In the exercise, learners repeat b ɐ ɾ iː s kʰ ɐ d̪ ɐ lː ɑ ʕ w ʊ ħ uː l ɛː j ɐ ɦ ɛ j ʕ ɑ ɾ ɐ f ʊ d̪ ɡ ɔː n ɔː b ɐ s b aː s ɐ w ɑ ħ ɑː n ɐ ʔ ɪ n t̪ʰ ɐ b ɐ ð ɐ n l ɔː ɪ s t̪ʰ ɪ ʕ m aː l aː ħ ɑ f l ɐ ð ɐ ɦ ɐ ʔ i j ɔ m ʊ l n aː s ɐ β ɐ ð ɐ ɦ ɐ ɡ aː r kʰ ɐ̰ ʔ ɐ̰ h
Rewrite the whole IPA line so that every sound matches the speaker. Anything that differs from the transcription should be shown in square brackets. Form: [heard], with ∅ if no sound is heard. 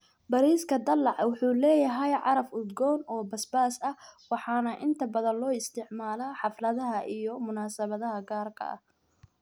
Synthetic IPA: b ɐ ɾ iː s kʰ ɐ d̪ ɐ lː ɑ ʕ w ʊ ħ uː l ɛː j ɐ ɦ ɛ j ʕ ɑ ɾ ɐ f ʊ d̪ ɡ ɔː n ɔː b ɐ s b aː s ɐ w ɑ ħ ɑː n ɐ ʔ ɪ n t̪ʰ ɐ b ɐ ð ɐ n l ɔː ɪ s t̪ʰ ɪ ʕ m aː l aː ħ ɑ f l ɐ ð ɐ ɦ ɐ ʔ i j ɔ m ʊ [∅] n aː s ɐ β ɐ ð ɐ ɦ ɐ ɡ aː r kʰ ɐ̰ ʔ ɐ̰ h

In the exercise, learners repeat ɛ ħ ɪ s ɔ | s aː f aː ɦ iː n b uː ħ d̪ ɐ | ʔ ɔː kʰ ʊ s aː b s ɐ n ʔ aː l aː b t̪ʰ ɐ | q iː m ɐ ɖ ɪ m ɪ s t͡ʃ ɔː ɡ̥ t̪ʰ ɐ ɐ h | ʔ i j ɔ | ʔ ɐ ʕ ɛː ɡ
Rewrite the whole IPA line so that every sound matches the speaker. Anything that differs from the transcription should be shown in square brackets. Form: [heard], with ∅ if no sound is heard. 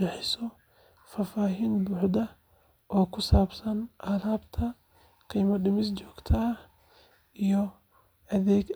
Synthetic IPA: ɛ ħ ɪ s ɔ | [f] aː f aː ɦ iː n b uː ħ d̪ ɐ | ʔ ɔː kʰ ʊ s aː b s ɐ n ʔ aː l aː b t̪ʰ ɐ | q iː m ɐ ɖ ɪ m ɪ s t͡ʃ ɔː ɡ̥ t̪ʰ ɐ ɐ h | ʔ i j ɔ | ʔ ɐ [ð] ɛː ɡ

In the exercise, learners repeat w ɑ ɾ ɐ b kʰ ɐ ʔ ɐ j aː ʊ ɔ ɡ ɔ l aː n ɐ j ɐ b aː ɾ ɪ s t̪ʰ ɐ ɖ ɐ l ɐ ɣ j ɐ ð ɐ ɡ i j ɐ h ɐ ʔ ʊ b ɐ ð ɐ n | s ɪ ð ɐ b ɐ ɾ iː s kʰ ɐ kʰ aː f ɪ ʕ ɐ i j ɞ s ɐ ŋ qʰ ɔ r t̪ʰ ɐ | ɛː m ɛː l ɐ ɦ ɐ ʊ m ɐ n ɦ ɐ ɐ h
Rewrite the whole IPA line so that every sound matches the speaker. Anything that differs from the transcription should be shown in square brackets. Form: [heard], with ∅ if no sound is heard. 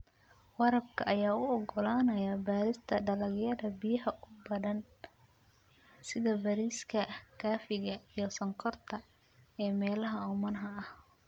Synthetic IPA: w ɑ ɾ ɐ b kʰ ɐ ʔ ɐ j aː ʊ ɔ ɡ ɔ l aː n ɐ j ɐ b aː ɾ ɪ s t̪ʰ ɐ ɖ ɐ l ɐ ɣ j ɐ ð ɐ [b] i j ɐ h ɐ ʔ ʊ b ɐ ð ɐ n | s ɪ ð ɐ b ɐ ɾ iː s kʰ ɐ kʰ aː f ɪ [ɣ] ɐ i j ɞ s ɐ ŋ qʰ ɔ r t̪ʰ ɐ | ɛː m ɛː l ɐ ɦ ɐ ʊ m ɐ n ɦ ɐ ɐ h

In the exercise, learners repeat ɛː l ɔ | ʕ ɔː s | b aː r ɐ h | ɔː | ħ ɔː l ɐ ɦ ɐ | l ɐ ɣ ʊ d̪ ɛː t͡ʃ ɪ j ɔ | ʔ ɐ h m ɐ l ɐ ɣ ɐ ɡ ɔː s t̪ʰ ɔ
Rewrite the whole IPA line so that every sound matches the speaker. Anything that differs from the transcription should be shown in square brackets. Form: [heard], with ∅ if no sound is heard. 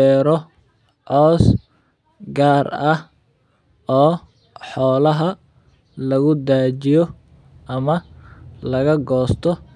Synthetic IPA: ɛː [ɾ] ɔ | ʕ ɔː s | [ɡ] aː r ɐ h | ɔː | ħ ɔː l ɐ ɦ ɐ | l ɐ ɣ ʊ d̪ [aː] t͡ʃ ɪ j ɔ | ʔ ɐ [∅] m ɐ l ɐ ɣ ɐ ɡ ɔː s t̪ʰ ɔ

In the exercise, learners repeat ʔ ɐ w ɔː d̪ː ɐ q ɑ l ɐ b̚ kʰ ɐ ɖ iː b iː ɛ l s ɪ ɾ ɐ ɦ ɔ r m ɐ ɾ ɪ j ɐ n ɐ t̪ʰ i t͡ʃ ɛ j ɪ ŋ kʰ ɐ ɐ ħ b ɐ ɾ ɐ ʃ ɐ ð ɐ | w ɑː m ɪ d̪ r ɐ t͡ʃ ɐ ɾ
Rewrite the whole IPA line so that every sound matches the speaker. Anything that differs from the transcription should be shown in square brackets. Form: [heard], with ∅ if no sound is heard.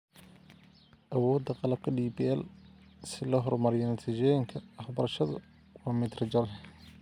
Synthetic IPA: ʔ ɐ w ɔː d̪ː ɐ q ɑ l ɐ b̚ kʰ ɐ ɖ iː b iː ɛ l s ɪ [l] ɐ ɦ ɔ r m ɐ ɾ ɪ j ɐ n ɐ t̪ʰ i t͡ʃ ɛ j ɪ ŋ kʰ ɐ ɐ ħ b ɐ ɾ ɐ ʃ ɐ ð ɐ | w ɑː m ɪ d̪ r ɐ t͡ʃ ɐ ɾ

